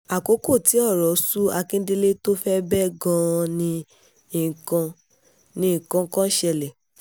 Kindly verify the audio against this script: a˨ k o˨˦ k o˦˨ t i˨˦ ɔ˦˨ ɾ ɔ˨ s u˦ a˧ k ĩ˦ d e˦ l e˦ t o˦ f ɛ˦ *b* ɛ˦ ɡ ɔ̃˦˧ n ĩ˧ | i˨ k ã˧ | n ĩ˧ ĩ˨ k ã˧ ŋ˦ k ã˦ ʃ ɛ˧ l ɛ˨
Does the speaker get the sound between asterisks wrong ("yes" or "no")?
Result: no